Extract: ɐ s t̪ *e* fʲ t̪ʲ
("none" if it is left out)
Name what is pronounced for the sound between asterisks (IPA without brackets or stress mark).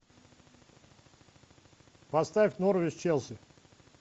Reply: a